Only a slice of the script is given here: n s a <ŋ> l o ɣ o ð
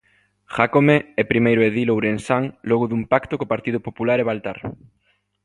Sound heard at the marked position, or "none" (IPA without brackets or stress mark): ŋ